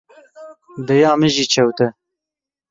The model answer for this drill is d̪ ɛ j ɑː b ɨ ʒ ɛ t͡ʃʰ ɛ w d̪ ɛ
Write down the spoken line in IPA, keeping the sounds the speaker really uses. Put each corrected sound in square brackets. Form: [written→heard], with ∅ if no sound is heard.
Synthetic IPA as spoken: d̪ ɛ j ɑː [b→m] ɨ ʒ [ɛ→i] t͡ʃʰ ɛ w [d̪→t̪] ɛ